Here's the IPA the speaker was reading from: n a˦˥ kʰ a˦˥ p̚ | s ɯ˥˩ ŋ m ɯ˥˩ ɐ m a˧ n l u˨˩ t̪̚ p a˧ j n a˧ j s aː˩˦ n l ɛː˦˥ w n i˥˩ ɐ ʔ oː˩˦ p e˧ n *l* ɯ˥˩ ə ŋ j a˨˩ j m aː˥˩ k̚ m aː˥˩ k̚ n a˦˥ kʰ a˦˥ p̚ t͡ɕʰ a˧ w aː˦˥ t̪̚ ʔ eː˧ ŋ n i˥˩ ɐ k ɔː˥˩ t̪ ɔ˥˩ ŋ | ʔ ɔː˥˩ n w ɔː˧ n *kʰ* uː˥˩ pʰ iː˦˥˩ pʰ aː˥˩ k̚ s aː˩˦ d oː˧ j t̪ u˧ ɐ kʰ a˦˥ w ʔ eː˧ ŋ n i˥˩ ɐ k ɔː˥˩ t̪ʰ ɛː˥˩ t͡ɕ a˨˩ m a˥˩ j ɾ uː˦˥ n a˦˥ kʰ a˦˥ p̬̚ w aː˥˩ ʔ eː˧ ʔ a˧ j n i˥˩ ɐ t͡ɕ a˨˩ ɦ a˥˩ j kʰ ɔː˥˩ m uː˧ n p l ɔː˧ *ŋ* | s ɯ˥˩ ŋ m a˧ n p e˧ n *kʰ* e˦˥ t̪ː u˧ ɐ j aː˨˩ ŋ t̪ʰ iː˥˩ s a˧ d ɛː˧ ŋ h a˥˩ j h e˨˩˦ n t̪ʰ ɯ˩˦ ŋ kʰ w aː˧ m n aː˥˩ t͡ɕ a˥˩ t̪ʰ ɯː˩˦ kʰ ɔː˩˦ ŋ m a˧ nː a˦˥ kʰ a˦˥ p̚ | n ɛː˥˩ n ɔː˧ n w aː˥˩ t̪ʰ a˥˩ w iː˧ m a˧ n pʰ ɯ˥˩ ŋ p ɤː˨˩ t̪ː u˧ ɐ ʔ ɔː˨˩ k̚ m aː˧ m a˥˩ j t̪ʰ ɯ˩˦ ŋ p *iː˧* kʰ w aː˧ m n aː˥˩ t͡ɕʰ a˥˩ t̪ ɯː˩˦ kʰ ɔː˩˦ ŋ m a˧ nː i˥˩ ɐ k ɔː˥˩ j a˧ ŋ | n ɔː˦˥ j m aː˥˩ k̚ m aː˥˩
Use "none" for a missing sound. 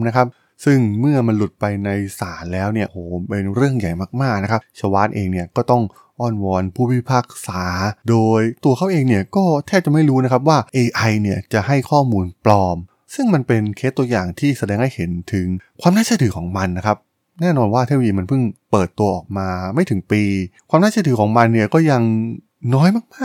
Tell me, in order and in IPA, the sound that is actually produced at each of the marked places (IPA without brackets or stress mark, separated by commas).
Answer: ɾ, pʰ, m, kʰ, iː˧